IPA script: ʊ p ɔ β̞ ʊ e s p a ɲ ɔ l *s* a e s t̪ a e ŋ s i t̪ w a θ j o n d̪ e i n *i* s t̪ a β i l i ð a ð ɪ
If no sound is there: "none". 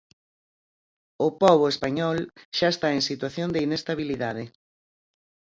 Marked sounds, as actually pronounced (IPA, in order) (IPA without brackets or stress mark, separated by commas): ʃ, e